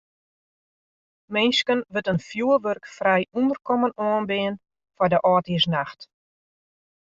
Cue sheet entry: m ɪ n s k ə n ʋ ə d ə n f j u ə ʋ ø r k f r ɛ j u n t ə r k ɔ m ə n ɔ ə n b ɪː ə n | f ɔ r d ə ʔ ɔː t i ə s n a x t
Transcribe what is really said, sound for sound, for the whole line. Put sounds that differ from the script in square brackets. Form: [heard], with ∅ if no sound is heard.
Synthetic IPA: m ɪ n s k ə n ʋ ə [t] ə n f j u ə ʋ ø r k f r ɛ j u n [d] ə r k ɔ m ə n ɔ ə n b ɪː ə n | f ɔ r d ə ʔ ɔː t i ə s n a x t